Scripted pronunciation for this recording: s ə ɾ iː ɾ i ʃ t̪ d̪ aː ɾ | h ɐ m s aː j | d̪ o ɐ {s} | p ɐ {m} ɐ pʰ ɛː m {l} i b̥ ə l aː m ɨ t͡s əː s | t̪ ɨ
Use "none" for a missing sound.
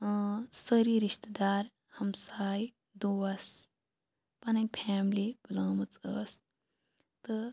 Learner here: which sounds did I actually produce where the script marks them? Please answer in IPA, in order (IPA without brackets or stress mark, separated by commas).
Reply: s, n, l